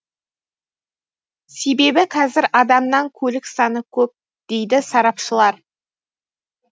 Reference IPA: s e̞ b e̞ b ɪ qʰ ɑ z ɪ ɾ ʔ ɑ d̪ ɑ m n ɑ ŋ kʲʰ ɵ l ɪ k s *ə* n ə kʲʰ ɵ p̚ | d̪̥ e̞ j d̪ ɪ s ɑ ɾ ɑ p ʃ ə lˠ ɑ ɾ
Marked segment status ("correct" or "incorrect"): incorrect